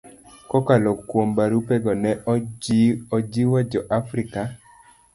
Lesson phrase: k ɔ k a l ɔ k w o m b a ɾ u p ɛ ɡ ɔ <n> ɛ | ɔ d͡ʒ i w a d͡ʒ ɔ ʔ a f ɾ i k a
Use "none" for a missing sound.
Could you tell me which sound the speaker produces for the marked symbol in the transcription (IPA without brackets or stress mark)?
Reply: n